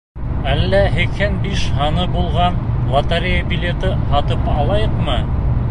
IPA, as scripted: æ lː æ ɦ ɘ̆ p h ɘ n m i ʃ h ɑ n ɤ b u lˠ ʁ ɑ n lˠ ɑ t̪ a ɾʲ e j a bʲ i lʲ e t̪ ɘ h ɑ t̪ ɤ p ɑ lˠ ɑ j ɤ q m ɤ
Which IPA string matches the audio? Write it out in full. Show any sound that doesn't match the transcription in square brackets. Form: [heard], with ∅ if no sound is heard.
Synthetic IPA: æ lː æ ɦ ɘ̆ [k] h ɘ n [b] i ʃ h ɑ n ɤ b u lˠ ʁ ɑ n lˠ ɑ t̪ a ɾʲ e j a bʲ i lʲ e t̪ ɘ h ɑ t̪ ɤ p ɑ lˠ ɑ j ɤ q m ɤ